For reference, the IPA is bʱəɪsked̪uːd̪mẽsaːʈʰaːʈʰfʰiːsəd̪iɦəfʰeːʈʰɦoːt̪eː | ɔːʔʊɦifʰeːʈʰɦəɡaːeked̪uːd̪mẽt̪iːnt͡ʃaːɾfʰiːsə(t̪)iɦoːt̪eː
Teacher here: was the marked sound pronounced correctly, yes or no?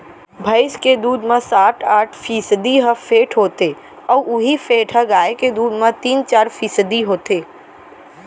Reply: no